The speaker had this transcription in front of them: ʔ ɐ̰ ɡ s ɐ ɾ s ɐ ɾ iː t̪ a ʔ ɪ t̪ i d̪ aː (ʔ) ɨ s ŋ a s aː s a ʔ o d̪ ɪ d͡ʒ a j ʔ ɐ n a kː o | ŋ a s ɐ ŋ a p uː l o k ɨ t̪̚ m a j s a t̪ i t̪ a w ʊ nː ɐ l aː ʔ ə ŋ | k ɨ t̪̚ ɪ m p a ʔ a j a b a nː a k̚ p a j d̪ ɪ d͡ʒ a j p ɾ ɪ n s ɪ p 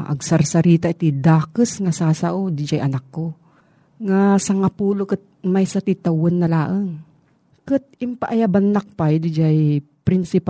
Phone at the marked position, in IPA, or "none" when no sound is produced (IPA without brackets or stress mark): k